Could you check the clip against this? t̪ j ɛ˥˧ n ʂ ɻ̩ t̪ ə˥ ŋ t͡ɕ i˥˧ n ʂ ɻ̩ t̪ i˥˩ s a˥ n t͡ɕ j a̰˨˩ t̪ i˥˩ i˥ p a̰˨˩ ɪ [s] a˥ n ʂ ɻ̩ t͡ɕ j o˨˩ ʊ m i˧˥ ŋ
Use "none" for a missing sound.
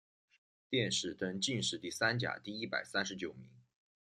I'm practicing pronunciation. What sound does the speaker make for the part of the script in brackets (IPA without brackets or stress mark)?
s